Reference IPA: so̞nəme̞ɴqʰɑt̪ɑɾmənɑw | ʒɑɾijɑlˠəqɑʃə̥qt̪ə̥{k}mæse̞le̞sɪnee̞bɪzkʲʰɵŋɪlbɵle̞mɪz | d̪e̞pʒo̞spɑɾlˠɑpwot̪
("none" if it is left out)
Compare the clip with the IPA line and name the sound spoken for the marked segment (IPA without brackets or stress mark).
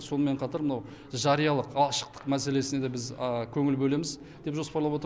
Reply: q